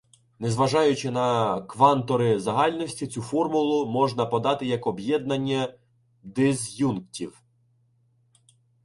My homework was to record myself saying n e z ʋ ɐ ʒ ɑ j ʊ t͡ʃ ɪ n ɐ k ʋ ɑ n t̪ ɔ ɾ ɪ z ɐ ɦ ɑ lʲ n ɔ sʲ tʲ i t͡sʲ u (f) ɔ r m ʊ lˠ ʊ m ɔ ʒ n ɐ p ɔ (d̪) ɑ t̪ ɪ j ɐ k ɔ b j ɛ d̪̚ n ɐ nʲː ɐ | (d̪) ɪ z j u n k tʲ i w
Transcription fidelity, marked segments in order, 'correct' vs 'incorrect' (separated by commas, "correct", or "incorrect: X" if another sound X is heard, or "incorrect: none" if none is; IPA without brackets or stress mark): correct, correct, correct